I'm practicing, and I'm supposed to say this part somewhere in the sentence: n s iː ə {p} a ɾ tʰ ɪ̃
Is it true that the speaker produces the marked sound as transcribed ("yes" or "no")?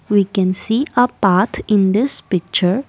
yes